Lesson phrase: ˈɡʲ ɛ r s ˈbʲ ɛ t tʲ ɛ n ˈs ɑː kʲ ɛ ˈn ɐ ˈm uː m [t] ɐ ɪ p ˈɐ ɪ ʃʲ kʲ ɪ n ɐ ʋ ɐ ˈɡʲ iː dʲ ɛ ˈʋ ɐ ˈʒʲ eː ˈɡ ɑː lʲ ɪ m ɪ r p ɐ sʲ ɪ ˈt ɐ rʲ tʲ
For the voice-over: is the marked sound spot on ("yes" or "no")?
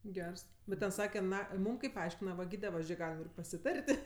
no